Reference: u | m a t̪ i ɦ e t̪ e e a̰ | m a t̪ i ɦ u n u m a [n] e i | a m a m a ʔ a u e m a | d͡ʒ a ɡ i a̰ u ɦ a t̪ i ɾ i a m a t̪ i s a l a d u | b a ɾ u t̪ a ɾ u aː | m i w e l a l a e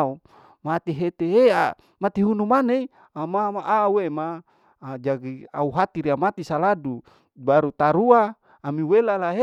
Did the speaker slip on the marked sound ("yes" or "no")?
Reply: no